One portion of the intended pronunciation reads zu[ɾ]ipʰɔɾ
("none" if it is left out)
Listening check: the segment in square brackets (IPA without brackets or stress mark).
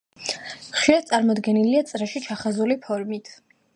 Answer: l